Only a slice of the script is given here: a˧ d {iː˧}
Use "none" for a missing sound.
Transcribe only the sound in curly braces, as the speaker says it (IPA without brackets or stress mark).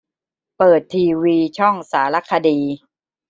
iː˧